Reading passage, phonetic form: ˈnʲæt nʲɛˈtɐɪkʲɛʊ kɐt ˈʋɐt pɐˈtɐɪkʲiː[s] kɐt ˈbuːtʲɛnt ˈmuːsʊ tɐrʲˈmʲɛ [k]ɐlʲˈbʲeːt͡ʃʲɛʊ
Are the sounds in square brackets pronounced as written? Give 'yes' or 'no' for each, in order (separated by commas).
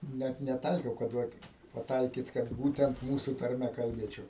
no, yes